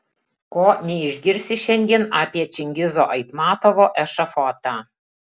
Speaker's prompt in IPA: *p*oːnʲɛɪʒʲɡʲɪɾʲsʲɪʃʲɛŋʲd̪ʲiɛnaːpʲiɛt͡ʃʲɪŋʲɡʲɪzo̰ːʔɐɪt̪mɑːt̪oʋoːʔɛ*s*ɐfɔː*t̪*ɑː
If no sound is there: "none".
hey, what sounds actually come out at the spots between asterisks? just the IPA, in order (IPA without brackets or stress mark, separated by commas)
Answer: k, ʃ, t̪